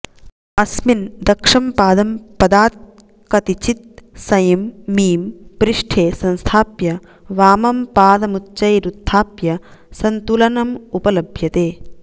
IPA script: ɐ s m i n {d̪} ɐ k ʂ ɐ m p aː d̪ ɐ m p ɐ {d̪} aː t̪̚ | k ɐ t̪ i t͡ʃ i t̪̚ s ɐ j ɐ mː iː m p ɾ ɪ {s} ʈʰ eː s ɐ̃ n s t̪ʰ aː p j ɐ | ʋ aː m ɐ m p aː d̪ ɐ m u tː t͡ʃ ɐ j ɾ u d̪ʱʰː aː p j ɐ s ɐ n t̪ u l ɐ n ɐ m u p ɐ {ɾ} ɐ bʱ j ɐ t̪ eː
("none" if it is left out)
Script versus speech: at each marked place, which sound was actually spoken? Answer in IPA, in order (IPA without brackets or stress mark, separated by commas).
d̪, d̪, ʂ, l